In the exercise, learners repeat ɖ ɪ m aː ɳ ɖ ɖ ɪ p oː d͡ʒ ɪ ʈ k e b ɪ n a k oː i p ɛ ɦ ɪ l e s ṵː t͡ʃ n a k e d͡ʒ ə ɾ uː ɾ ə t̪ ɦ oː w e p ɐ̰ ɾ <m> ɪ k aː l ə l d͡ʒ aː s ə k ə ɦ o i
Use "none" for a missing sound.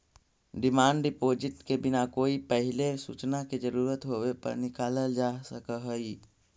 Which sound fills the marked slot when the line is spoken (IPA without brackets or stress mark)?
n